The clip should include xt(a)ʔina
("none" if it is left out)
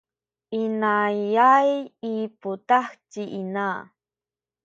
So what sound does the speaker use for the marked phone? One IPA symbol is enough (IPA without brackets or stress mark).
i